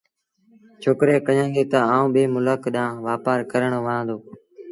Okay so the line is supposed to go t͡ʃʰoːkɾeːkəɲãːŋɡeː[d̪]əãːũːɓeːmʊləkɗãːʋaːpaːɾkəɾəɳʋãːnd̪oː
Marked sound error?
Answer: yes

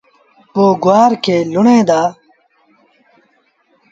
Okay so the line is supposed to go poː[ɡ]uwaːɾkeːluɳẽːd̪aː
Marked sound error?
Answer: no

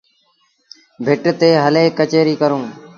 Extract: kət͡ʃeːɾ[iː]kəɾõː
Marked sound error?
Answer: no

